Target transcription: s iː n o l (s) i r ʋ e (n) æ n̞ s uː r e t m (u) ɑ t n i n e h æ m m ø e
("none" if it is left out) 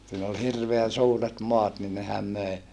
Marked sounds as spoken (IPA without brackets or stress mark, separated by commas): h, none, o